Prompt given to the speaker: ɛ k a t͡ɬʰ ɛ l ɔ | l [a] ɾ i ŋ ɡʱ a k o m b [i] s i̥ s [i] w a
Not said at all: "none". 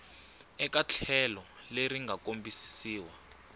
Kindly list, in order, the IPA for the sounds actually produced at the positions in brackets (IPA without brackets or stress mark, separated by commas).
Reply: e, i, iː